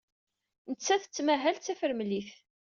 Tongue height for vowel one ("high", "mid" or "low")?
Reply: mid